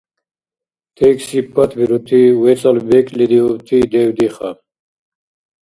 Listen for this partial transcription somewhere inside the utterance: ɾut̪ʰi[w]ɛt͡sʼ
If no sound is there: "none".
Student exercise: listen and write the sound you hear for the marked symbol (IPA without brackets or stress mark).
w